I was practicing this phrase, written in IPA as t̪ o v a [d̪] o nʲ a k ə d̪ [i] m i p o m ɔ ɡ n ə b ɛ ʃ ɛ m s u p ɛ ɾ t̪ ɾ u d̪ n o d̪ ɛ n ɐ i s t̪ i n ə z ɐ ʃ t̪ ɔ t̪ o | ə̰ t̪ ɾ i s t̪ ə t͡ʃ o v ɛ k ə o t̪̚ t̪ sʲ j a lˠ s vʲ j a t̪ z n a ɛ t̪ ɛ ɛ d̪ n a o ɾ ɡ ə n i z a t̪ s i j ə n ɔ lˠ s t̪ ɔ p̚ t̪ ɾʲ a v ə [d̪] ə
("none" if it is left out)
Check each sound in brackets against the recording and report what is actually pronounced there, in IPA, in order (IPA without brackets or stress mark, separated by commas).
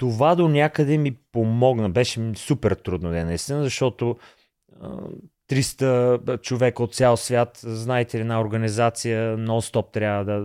d̪, ɛ, d̪